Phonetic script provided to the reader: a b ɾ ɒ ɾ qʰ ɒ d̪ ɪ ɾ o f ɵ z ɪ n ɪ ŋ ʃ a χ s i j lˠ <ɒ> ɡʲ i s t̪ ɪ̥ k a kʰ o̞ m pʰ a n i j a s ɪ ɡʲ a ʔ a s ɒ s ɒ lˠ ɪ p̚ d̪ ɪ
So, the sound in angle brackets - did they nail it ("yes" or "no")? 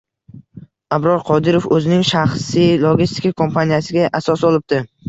no